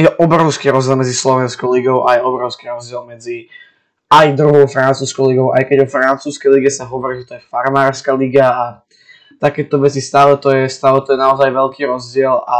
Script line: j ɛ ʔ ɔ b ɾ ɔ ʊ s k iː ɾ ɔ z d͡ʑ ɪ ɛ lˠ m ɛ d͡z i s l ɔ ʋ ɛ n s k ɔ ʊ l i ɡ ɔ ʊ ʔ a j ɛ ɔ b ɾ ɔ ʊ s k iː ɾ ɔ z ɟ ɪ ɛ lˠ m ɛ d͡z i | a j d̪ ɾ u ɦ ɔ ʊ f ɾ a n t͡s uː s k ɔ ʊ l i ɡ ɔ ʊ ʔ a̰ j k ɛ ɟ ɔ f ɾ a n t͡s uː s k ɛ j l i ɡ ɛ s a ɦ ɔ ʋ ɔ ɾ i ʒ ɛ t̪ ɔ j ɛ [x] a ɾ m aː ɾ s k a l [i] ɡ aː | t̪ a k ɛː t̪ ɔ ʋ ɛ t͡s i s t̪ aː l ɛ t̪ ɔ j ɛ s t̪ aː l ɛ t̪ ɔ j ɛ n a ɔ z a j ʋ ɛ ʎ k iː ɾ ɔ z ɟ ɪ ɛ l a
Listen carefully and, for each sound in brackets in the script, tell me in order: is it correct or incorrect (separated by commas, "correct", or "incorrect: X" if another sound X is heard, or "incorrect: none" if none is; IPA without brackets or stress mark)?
incorrect: f, correct